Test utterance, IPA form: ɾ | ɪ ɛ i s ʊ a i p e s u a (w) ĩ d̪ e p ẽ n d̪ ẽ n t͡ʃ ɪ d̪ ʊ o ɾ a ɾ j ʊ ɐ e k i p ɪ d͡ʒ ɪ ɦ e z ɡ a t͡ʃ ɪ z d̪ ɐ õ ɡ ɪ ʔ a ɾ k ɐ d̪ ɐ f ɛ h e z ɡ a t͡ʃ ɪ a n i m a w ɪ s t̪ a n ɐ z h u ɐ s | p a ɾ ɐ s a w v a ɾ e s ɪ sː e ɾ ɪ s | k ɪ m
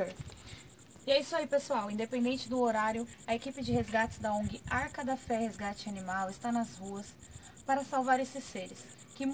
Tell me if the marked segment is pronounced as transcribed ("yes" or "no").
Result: yes